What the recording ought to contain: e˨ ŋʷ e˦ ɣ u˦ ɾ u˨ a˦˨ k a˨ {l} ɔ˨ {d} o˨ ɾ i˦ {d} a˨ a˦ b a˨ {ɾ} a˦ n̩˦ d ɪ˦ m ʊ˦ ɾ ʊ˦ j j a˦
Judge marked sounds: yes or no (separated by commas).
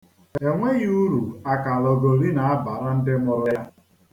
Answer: yes, no, no, yes